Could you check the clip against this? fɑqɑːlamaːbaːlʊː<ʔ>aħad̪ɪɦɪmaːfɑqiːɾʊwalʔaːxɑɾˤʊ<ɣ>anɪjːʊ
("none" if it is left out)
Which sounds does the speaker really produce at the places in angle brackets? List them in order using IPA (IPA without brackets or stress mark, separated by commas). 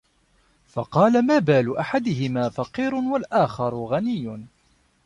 ʔ, ɣ